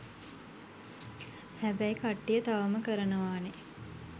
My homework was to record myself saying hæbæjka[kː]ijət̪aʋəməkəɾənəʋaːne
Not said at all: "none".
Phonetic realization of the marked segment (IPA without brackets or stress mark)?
ʈː